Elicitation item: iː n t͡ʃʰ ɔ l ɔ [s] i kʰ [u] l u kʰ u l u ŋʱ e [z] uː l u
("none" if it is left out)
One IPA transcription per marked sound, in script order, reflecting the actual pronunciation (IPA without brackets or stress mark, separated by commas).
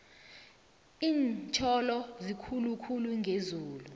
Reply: z, u, z